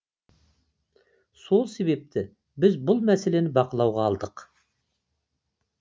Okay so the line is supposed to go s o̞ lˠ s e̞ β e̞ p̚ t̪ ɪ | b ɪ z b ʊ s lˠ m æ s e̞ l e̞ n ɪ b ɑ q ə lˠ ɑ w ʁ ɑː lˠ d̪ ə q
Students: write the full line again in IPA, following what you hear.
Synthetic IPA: s o̞ lˠ s e̞ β e̞ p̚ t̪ ɪ | b ɪ z b ʊ lˠ m æ s e̞ l e̞ n ɪ b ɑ q ə lˠ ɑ w ʁ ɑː lˠ d̪ ə q